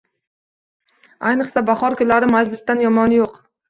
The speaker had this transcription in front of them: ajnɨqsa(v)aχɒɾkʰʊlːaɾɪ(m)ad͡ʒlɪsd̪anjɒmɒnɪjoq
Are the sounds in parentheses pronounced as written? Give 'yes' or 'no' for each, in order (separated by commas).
no, yes